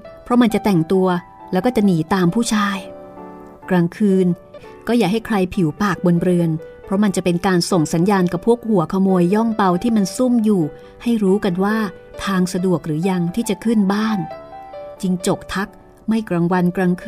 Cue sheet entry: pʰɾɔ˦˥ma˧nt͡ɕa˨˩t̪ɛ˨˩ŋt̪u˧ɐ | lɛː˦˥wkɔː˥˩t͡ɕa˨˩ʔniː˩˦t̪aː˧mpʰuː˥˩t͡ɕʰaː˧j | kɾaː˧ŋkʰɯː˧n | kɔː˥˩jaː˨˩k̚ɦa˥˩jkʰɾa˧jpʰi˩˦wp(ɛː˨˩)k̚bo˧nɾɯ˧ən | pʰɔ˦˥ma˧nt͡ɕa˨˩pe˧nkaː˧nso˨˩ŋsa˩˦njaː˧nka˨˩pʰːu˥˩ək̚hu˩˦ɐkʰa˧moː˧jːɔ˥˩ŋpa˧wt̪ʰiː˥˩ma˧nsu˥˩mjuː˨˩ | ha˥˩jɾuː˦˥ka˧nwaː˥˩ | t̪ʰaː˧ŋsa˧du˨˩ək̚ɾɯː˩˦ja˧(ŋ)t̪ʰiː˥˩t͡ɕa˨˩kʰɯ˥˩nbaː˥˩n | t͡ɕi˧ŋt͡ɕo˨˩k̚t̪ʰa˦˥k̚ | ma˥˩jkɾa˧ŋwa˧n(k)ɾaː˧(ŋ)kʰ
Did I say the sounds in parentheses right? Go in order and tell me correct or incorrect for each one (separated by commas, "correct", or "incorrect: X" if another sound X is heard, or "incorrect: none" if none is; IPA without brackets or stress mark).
incorrect: aː˨˩, correct, correct, correct